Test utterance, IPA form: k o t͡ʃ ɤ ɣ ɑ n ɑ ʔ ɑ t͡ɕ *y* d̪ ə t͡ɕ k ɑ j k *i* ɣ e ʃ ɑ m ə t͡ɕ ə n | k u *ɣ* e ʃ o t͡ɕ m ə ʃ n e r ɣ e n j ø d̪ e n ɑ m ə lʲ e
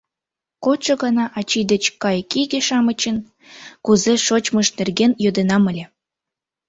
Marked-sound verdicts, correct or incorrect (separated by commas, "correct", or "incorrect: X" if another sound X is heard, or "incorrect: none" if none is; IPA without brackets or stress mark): incorrect: i, correct, incorrect: z